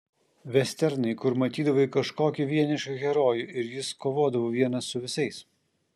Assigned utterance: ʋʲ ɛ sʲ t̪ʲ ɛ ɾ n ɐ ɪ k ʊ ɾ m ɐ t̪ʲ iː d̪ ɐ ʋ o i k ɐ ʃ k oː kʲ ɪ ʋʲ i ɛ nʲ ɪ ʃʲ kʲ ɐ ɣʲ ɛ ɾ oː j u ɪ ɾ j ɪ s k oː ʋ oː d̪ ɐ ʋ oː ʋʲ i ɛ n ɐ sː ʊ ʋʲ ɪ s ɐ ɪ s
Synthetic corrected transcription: ʋʲ ɛ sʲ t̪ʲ ɛ ɾ n ɐ ɪ k ʊ ɾ m ɐ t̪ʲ iː d̪ ɐ ʋ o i k ɐ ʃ k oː kʲ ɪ ʋʲ i ɛ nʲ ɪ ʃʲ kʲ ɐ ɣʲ ɛ ɾ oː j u ɪ ɾ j ɪ s k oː ʋ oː d̪ ɐ ʋ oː ʋʲ i ɛ n ɐ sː ʊ ʋʲ ɪ s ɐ ɪ s

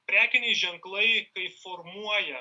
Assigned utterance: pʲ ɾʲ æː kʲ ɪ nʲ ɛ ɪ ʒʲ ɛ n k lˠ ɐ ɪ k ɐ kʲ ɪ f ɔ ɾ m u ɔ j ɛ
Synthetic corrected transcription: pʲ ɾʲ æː kʲ ɪ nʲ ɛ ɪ ʒʲ ɛ ŋ k lˠ ɐ ɪ k ɐ ɪ f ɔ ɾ m u ɔ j ɛ

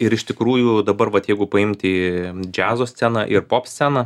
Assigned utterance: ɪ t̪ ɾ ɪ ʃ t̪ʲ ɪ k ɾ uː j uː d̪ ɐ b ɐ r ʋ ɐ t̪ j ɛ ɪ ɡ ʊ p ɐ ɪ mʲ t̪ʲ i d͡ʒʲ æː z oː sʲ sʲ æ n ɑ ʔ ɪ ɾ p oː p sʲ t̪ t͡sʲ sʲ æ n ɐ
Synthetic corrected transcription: ɪ ɾ ɪ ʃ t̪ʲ ɪ k ɾ uː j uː d̪ ɐ b ɐ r ʋ ɐ t̪ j ɛ ɪ ɡ ʊ p ɐ ɪ mʲ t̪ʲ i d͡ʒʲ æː z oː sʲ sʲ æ n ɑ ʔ ɪ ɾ p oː p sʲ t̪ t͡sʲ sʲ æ n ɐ

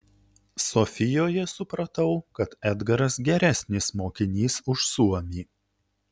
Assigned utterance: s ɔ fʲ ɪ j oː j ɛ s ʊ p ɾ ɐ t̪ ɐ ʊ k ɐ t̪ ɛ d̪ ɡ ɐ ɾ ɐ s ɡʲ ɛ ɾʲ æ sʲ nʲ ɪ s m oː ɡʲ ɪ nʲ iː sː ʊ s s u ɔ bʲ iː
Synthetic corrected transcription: s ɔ fʲ ɪ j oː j ɛ s ʊ p ɾ ɐ t̪ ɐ ʊ k ɐ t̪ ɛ d̪ ɡ ɐ ɾ ɐ s ɡʲ ɛ ɾʲ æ sʲ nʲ ɪ s m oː kʲ ɪ nʲ iː s ʊ ʃ s u ɔ mʲ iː

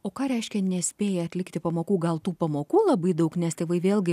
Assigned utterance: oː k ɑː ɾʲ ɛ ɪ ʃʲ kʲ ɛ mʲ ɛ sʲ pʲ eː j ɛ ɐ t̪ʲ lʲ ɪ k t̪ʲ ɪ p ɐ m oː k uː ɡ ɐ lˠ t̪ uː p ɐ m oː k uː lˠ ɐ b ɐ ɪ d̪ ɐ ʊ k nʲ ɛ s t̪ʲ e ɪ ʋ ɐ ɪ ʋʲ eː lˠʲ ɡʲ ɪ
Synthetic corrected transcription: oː k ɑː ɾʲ ɛ ɪ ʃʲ kʲ ɛ nʲ ɛ sʲ pʲ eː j ɛ ɐ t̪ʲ lʲ ɪ k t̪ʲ ɪ p ɐ m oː k uː ɡ ɐ lˠ t̪ uː p ɐ m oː k uː lˠ ɐ b ɐ ɪ d̪ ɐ ʊ k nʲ ɛ s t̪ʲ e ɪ ʋ ɐ ɪ ʋʲ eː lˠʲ ɡʲ ɪ

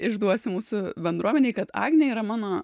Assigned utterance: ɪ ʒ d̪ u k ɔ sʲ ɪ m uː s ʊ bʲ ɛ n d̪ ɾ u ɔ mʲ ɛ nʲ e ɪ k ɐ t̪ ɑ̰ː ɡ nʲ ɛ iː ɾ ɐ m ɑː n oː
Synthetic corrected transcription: ɪ ʒ d̪ u ɔ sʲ ɪ m uː s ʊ bʲ ɛ n d̪ ɾ u ɔ mʲ ɛ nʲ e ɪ k ɐ t̪ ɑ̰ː ɡ nʲ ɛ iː ɾ ɐ m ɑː n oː

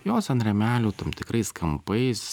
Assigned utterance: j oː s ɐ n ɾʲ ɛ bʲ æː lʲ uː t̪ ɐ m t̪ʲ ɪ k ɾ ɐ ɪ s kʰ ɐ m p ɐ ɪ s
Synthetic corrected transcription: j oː s ɐ n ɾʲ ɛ mʲ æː lʲ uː t̪ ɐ m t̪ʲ ɪ k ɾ ɐ ɪ s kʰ ɐ m p ɐ ɪ s

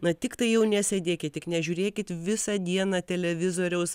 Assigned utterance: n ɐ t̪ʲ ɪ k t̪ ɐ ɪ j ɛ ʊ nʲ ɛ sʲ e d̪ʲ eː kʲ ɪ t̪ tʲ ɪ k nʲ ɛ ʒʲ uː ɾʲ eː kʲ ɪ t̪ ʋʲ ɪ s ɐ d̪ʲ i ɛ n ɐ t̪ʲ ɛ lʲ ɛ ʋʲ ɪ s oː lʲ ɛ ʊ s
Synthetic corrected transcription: n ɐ t̪ʲ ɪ k t̪ ɐ ɪ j ɛ ʊ nʲ ɛ sʲ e d̪ʲ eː kʲ ɪ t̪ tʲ ɪ k nʲ ɛ ʒʲ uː ɾʲ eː kʲ ɪ t̪ ʋʲ ɪ s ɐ d̪ʲ i ɛ n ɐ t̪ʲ ɛ lʲ ɛ ʋʲ ɪ z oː ɾʲ ɛ ʊ s

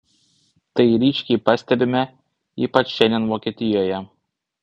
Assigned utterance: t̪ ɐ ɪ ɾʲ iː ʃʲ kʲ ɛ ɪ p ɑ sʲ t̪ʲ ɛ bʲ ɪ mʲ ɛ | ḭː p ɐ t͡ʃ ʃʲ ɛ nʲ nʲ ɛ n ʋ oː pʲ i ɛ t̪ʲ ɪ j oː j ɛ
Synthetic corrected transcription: t̪ ɐ ɪ ɾʲ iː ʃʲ kʲ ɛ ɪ p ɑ sʲ t̪ʲ ɛ bʲ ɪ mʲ ɛ | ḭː p ɐ t͡ʃ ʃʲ ɛ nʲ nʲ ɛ n ʋ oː kʲ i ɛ t̪ʲ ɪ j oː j ɛ

